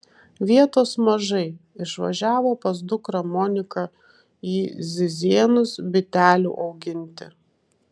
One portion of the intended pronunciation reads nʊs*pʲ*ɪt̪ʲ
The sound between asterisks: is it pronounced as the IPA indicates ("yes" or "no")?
no